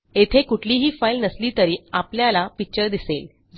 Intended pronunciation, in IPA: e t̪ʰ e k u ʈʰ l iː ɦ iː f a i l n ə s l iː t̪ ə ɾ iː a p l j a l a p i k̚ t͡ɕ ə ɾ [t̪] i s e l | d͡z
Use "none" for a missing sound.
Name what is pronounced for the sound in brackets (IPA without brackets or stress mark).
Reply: d̪